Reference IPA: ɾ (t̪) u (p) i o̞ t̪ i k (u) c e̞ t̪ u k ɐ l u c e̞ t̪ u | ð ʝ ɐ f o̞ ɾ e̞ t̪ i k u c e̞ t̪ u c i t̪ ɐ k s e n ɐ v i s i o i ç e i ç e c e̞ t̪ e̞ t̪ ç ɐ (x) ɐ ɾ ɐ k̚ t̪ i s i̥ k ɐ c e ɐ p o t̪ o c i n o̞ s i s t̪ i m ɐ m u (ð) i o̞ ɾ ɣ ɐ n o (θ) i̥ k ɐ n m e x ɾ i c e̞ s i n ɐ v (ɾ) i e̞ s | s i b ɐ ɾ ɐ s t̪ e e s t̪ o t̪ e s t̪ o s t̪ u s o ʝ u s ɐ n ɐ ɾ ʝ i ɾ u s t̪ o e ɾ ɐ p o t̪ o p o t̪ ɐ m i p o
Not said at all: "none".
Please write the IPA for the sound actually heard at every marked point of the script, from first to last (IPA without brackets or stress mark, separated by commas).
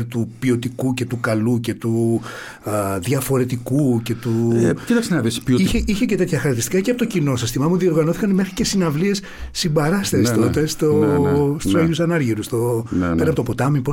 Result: t̪, p, u, x, ð, θ, l